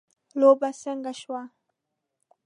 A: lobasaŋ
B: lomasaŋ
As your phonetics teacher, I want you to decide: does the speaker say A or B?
A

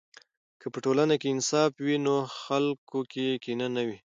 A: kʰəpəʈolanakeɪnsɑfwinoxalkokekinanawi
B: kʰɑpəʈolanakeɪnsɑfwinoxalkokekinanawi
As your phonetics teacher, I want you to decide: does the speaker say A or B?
A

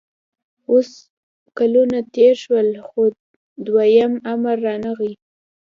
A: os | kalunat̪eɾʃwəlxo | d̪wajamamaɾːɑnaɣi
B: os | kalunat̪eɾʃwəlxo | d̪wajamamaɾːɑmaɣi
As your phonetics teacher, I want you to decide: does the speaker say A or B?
A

